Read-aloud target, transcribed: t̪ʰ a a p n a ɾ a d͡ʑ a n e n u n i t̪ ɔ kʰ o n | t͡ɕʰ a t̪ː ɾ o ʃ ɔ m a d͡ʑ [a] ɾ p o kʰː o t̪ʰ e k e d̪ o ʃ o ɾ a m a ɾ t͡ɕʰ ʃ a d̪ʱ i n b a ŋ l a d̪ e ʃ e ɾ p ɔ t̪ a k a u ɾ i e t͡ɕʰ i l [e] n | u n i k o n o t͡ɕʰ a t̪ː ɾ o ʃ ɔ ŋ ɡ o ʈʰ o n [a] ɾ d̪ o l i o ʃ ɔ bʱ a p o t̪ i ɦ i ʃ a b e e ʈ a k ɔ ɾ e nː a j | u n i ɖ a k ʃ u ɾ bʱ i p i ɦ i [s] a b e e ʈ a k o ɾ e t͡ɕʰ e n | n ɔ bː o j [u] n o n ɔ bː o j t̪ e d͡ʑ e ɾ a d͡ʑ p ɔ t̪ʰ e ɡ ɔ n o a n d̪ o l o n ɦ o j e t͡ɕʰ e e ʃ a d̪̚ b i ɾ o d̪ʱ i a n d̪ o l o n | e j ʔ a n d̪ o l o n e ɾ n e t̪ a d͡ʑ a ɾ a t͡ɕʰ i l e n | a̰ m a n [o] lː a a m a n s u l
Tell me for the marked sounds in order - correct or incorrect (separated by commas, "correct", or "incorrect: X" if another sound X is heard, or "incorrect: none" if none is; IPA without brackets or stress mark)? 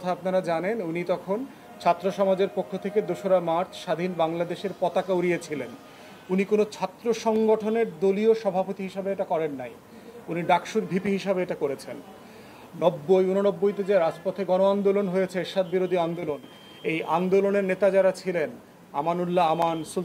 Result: incorrect: e, correct, incorrect: e, incorrect: ʃ, correct, incorrect: u